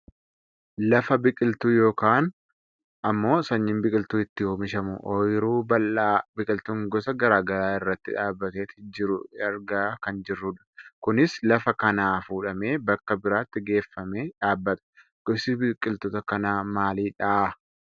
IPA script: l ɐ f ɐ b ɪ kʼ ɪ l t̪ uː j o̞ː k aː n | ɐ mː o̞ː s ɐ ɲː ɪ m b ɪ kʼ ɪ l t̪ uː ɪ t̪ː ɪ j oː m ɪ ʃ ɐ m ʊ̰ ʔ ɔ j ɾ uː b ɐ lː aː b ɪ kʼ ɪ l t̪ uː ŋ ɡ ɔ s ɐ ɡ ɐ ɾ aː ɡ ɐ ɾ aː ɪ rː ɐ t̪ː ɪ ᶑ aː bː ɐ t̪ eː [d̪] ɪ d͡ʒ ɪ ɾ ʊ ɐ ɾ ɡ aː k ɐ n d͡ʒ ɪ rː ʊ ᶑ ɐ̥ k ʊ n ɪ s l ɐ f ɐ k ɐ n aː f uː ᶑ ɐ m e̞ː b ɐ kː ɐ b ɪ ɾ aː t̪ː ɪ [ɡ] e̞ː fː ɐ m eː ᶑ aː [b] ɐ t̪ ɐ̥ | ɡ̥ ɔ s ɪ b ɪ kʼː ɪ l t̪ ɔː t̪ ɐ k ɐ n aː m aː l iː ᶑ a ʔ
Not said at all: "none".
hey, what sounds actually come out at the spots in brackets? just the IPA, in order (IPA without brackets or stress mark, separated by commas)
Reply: t̪, ɡ, bː